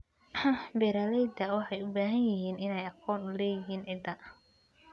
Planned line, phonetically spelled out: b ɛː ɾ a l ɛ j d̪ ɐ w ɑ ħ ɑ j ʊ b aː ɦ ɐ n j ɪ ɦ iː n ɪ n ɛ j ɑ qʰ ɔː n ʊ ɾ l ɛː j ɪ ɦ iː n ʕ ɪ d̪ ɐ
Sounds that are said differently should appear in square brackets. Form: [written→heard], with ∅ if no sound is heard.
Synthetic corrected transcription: b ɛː ɾ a l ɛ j d̪ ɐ w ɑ ħ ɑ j ʊ b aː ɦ ɐ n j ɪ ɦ iː n ɪ n ɛ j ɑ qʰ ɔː n ʊ [ɾ→∅] l ɛː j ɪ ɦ iː n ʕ ɪ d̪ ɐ